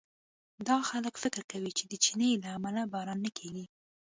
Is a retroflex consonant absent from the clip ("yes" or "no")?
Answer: yes